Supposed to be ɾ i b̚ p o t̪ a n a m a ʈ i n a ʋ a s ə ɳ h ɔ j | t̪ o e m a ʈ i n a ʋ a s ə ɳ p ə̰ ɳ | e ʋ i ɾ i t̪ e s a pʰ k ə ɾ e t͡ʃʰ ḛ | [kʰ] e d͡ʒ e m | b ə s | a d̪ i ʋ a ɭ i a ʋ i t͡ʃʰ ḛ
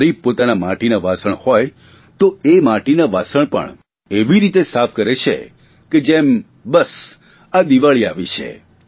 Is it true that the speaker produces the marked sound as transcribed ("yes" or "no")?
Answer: no